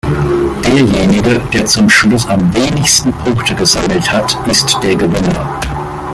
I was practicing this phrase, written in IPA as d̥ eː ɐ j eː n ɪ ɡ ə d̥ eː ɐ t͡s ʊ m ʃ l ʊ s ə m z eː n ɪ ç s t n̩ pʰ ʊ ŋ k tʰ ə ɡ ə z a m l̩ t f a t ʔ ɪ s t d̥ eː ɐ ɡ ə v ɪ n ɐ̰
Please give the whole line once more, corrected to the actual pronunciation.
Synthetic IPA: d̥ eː ɐ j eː n ɪ ɡ ə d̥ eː ɐ t͡s ʊ m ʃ l ʊ s a m v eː n ɪ ç s t n̩ pʰ ʊ ŋ k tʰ ə ɡ ə z a m l̩ t h a t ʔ ɪ s t d̥ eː ɐ ɡ ə v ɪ n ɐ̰